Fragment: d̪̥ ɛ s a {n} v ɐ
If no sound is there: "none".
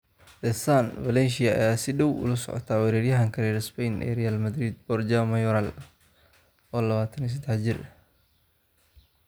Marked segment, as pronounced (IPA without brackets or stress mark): n